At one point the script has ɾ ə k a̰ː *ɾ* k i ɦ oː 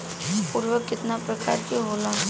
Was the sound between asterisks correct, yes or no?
yes